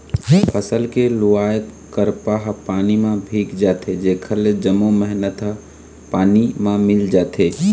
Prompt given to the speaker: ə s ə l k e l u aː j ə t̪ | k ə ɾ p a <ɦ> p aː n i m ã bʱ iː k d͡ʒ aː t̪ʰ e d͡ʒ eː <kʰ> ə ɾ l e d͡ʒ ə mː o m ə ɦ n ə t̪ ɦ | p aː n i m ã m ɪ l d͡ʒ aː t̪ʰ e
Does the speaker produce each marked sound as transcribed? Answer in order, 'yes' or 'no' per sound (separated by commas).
yes, yes